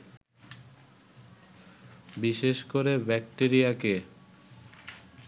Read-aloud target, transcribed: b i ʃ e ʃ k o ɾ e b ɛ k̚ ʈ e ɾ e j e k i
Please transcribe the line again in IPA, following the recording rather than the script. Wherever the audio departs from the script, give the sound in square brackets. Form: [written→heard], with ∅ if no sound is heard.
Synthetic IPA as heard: b i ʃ e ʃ k o ɾ e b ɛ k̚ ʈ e ɾ [e→i] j [e→a] k [i→e]